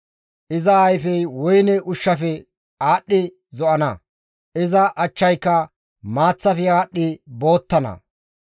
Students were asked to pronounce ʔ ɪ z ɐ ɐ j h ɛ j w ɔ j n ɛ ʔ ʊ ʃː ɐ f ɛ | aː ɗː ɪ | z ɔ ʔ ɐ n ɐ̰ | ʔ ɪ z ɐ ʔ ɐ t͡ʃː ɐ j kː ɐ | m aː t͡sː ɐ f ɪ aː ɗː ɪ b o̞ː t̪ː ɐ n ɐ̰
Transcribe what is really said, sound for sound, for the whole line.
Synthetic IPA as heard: ʔ ɪ z ɐ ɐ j f ɛ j w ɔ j n ɛ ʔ ʊ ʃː ɐ f ɛ | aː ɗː ɪ | z ɔ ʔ ɐ n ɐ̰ | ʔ ɪ z ɐ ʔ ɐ t͡ʃː ɐ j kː ɐ | m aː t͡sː ɐ f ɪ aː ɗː ɪ b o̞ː t̪ː ɐ n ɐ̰

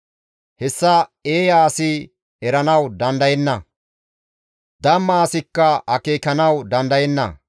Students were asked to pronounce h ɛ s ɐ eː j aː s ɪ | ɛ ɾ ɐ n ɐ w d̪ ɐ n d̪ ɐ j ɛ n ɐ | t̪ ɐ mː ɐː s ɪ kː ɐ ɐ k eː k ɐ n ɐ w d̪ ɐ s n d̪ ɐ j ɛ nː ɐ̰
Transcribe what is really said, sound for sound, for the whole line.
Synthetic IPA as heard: h ɛ sː ɐ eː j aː s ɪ | ɛ ɾ ɐ n ɐ w d̪ ɐ n d̪ ɐ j ɛ nː ɐ | d̪ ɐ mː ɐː s ɪ kː ɐ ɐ k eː k ɐ n ɐ w d̪ ɐ n d̪ ɐ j ɛ nː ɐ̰

